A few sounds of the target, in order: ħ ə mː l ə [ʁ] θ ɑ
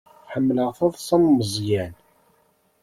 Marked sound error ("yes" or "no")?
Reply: no